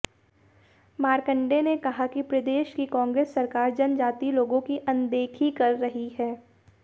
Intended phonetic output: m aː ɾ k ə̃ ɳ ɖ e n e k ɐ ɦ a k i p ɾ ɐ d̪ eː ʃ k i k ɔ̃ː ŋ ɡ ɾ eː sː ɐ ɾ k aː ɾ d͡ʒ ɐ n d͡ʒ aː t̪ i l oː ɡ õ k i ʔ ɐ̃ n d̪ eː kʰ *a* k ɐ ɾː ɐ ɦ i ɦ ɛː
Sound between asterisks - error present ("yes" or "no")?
yes